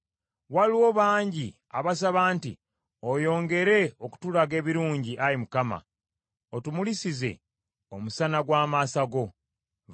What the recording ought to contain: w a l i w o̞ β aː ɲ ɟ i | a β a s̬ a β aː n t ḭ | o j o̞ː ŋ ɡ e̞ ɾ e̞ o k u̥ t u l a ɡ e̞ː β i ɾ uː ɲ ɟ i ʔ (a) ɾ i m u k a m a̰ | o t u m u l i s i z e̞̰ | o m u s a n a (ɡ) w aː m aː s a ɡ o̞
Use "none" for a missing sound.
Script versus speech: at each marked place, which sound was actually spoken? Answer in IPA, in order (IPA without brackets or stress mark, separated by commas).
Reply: a, ɡ